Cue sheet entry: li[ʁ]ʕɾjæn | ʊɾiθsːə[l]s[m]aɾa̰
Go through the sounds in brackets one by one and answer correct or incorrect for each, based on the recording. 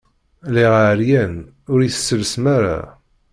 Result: correct, correct, correct

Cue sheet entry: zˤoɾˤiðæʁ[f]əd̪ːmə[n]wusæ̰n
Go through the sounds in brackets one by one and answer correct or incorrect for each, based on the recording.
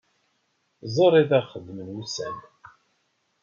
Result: incorrect, correct

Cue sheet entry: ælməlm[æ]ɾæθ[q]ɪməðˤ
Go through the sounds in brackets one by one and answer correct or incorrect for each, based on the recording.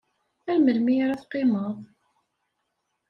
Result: incorrect, correct

